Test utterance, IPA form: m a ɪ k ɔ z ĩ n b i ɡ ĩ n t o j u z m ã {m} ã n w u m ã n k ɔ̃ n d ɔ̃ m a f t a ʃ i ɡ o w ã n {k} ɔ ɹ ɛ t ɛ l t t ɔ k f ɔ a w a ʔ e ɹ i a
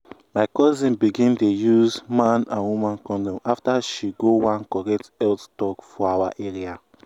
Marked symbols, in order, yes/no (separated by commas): no, yes